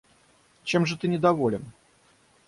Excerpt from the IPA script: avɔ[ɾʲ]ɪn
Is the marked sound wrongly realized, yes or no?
yes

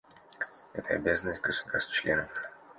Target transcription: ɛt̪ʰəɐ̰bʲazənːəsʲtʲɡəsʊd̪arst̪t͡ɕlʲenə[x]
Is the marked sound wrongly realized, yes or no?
yes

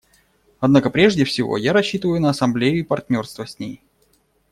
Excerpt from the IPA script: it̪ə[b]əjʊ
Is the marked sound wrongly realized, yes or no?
yes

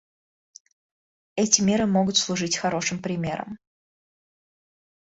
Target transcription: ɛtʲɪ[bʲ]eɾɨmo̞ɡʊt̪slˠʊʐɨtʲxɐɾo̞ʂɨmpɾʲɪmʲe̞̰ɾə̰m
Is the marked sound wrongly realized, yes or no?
yes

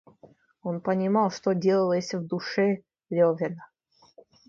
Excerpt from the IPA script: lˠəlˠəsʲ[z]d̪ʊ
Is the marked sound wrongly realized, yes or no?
yes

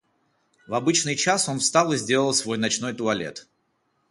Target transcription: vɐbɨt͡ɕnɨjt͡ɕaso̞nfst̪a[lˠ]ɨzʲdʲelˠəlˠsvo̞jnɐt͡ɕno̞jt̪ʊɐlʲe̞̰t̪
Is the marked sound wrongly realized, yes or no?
no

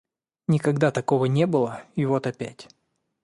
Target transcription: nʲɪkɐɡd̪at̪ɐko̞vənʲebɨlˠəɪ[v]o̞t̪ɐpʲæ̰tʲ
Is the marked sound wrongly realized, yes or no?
no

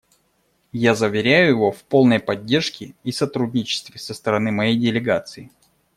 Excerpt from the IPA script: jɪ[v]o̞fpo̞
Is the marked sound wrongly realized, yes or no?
no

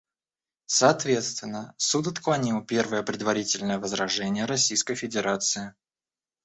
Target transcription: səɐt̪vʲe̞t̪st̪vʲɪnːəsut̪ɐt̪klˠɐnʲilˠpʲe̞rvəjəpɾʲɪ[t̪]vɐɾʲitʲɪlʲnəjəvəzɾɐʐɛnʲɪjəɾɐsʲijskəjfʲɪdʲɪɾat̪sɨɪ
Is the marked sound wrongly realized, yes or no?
yes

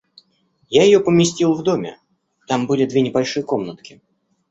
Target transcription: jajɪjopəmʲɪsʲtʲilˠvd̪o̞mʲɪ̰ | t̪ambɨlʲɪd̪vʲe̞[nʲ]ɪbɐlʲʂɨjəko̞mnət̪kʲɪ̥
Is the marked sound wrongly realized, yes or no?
no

